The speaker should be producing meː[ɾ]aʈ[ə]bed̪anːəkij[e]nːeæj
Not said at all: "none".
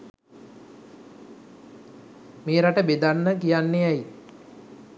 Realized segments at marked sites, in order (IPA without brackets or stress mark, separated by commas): ɾ, ə, a